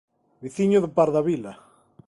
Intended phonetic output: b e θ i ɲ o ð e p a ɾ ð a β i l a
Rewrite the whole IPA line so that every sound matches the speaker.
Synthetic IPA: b i θ i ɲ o ð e p a ɾ ð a β i l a